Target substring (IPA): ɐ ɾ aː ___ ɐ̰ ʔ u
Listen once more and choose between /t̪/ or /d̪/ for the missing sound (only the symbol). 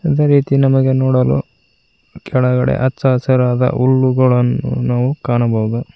d̪